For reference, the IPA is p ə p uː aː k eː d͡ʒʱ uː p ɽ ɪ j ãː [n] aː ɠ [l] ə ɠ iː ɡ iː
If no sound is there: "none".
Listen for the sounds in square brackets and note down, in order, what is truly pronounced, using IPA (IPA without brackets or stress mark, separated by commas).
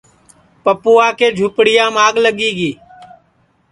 m, l